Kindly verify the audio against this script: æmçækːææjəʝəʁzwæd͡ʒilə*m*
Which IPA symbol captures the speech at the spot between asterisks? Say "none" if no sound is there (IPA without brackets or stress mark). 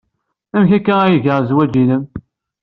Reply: m